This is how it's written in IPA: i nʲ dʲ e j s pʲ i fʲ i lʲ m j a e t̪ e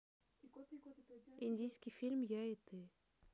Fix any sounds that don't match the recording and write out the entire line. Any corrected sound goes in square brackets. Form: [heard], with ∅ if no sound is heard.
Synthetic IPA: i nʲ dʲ [i] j s [kʲ] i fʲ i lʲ m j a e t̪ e